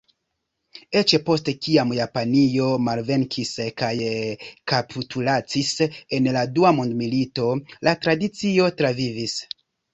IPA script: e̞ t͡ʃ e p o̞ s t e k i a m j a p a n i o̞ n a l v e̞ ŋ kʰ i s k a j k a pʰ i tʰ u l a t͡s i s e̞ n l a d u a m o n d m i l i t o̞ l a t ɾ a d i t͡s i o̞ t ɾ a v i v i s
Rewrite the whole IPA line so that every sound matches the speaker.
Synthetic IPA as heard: e̞ t͡ʃ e p o̞ s t e k i a m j a p a n i o̞ m a l v e̞ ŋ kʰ i s k a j k a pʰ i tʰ u l a t͡s i s e̞ n l a d u a m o n d m i l i t o̞ l a t ɾ a d i t͡s i o̞ t ɾ a v i v i s